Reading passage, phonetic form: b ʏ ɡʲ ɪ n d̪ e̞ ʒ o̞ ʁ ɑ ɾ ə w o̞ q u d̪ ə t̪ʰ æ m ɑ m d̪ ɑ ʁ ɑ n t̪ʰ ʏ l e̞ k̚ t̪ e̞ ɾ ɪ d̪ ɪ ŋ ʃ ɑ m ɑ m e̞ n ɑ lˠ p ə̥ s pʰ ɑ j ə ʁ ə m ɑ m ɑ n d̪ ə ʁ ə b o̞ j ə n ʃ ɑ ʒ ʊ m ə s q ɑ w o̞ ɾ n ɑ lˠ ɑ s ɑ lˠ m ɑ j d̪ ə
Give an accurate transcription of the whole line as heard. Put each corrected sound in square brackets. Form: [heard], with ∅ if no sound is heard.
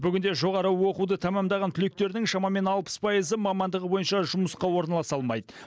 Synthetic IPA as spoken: b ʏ ɡʲ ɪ n d̪ e̞ ʒ o̞ ʁ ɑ ɾ ə w o̞ q u d̪ ə t̪ʰ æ m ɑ m d̪ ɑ ʁ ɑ n t̪ʰ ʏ l e̞ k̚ t̪ e̞ ɾ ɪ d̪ ɪ ŋ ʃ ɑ m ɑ m e̞ n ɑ lˠ p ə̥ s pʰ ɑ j ə [z] ə m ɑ m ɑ n d̪ ə ʁ ə b o̞ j ə n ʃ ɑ ʒ ʊ m ə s q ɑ w o̞ ɾ n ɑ lˠ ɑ s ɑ lˠ m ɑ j d̪ ə